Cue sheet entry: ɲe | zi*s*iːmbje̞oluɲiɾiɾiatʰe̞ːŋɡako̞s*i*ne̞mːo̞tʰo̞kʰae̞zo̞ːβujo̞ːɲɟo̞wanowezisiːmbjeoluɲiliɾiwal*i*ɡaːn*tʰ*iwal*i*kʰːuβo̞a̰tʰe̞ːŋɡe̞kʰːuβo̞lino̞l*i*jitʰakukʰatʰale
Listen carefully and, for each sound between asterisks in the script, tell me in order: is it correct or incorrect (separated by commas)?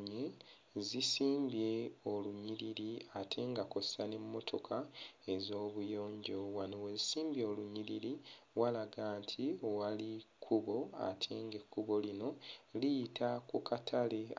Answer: correct, incorrect, incorrect, correct, correct, correct